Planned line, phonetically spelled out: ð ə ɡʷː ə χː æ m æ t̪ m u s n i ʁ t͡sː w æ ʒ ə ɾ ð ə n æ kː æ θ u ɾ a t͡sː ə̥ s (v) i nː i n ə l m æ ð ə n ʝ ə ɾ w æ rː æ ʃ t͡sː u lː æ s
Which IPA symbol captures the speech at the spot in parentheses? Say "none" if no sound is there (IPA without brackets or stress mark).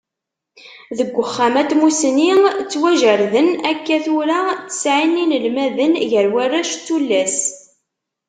ʕ